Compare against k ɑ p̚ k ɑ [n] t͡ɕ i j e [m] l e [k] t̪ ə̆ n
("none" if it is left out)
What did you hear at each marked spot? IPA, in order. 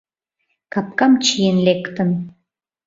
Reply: m, n, k

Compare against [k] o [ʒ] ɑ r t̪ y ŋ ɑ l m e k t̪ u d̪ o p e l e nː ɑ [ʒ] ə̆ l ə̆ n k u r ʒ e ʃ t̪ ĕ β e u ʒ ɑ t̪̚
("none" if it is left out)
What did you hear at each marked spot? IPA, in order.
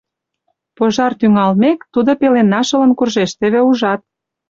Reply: p, ʒ, ʃ

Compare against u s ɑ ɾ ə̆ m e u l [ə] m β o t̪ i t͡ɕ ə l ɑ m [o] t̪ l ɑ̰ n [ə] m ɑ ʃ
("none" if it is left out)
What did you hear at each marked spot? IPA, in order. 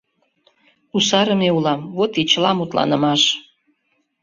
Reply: ɑ, u, ə

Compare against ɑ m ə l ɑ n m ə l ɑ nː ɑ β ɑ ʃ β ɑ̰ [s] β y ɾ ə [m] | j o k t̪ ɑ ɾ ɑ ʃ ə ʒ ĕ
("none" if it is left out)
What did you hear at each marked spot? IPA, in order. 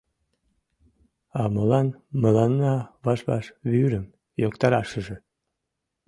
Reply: ʃ, m

